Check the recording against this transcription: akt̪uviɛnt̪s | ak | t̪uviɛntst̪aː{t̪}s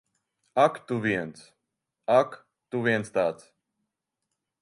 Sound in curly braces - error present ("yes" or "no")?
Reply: no